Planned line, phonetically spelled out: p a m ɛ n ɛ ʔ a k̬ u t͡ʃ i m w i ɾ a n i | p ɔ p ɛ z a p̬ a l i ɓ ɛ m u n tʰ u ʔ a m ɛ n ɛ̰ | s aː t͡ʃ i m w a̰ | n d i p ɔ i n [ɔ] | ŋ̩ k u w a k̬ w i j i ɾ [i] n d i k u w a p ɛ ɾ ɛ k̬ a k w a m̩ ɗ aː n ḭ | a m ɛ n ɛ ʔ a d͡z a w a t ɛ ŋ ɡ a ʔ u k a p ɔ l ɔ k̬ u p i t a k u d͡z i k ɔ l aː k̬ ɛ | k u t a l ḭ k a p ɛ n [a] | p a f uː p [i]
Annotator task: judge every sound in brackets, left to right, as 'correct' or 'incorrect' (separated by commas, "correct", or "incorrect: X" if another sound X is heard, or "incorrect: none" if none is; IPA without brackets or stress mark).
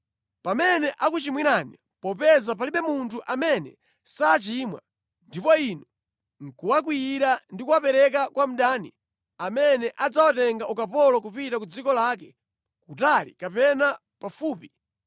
correct, incorrect: a, correct, correct